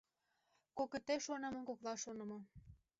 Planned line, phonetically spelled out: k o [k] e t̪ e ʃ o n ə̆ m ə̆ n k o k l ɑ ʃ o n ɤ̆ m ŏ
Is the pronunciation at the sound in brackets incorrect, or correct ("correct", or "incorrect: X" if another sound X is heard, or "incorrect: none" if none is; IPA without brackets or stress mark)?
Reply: correct